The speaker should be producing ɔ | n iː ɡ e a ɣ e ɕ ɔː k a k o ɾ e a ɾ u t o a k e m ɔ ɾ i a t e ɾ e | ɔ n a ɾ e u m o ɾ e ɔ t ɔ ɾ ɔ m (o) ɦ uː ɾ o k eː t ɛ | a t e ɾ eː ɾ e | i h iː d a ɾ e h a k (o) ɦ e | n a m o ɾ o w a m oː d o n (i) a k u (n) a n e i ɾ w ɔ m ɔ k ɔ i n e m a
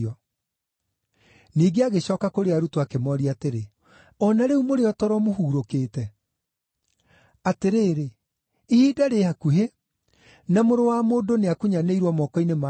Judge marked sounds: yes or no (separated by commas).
yes, no, no, no